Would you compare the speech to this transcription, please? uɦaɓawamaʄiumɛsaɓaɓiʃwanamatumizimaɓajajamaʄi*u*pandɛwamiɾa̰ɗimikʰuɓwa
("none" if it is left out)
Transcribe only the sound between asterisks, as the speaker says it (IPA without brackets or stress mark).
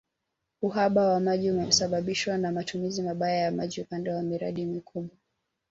u